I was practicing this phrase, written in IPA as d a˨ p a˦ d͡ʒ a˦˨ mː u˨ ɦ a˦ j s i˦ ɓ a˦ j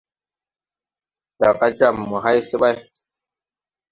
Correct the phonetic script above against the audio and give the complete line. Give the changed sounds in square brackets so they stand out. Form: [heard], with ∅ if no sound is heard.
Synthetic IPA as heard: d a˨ [k] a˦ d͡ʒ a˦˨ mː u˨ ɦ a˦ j s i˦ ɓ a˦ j